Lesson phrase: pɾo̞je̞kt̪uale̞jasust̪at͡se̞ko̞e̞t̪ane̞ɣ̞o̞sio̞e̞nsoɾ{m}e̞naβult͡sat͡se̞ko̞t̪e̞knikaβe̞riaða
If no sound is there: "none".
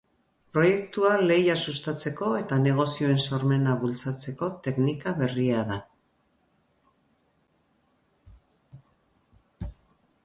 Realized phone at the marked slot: m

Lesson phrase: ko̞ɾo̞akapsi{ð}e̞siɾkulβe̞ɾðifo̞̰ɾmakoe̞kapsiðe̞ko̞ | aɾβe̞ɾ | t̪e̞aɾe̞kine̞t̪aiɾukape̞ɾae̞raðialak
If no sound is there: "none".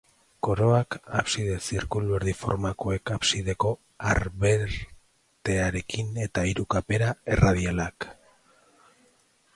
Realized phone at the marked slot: ð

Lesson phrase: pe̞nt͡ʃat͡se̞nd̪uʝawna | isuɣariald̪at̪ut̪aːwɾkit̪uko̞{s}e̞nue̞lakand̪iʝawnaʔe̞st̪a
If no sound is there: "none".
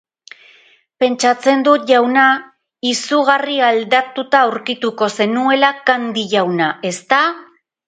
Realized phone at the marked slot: s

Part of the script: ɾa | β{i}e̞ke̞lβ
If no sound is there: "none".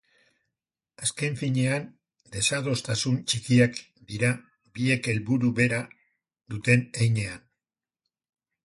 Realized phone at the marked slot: i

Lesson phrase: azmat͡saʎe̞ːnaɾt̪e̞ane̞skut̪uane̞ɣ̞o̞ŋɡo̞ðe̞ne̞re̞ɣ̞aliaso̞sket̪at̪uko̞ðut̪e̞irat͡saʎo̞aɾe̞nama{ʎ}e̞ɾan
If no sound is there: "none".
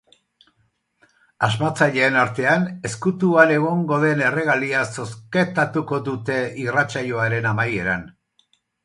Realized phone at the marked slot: j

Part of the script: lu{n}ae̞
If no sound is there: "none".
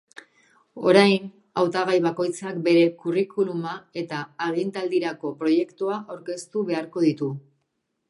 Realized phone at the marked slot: m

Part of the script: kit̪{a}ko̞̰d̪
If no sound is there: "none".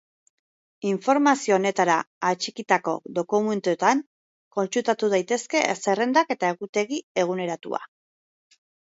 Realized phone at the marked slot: a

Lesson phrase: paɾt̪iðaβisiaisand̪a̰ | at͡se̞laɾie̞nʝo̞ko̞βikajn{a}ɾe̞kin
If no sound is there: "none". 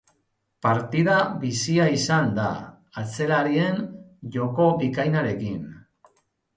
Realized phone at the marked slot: a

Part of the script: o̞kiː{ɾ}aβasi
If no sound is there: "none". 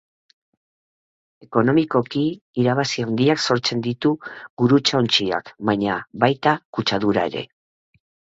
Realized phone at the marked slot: ɾ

